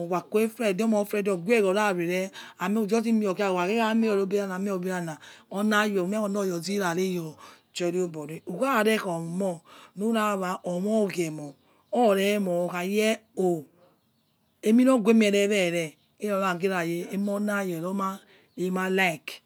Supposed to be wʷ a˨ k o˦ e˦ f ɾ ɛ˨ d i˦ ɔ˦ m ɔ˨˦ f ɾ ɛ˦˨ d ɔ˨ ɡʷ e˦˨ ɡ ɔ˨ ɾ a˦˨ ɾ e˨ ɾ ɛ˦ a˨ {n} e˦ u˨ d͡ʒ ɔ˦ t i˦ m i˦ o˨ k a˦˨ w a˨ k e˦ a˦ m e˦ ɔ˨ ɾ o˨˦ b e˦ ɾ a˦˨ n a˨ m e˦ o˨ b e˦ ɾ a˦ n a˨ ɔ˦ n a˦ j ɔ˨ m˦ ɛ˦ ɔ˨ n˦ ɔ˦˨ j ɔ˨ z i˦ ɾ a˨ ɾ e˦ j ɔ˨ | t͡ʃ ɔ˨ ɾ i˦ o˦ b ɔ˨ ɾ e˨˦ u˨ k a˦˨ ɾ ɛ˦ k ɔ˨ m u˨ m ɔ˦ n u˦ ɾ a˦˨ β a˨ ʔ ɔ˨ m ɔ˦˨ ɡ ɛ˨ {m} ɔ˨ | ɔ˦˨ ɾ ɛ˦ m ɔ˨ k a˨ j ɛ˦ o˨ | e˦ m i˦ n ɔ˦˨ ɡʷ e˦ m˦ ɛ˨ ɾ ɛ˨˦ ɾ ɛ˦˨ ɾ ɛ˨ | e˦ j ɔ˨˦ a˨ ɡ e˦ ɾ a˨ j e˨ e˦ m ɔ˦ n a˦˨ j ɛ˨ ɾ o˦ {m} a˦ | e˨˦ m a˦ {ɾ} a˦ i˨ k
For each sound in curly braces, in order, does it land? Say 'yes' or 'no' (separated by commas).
no, yes, yes, no